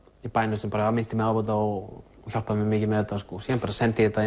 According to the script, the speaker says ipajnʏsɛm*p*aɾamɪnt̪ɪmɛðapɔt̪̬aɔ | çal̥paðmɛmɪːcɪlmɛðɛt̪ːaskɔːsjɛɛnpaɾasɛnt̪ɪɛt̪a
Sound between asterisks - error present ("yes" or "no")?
no